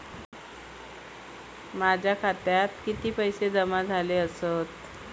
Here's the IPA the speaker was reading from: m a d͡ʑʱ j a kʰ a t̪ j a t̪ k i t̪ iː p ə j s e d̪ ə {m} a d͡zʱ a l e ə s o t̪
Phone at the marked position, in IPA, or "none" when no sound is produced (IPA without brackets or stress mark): m